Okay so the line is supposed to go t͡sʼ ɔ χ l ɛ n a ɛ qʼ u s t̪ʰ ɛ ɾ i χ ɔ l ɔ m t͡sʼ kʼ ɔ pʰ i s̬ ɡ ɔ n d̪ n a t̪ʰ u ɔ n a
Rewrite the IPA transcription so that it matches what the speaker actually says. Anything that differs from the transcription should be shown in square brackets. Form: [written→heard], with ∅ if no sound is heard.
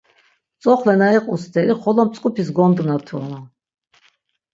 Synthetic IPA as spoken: t͡sʼ ɔ χ l ɛ n a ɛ qʼ u s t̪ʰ ɛ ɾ i χ ɔ l ɔ m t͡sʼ kʼ [ɔ→u] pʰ i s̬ ɡ ɔ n d̪ n a t̪ʰ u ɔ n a